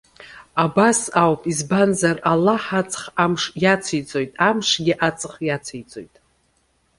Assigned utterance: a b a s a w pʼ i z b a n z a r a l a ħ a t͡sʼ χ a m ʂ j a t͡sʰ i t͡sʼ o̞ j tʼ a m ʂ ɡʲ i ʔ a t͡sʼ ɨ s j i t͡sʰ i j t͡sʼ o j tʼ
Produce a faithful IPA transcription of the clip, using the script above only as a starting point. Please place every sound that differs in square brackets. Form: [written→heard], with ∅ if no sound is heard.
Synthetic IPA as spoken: a b a s a w pʼ i z b a n z a r a l a ħ a t͡sʼ χ a m ʂ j a t͡sʰ i t͡sʼ o̞ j tʼ a m ʂ ɡʲ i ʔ a t͡sʼ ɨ [s→χ] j [i→a] t͡sʰ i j t͡sʼ o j tʼ